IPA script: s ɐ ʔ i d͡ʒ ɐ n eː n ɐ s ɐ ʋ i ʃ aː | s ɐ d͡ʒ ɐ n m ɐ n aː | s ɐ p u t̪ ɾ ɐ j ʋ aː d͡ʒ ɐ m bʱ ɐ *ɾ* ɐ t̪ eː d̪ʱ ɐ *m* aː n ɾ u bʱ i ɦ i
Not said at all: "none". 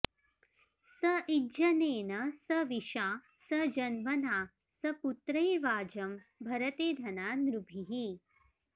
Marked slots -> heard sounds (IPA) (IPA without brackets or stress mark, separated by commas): ɾ, n